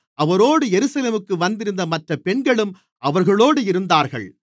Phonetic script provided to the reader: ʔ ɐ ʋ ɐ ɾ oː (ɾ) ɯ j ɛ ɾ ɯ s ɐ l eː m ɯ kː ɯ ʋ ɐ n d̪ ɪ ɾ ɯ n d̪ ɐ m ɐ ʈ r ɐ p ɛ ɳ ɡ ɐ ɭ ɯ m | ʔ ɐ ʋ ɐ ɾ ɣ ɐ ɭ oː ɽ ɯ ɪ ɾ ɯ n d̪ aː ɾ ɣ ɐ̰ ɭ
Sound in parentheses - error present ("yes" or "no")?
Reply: yes